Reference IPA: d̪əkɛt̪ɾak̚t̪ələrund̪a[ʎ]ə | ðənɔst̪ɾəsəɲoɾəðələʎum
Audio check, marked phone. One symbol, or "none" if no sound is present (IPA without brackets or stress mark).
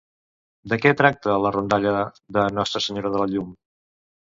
ʎ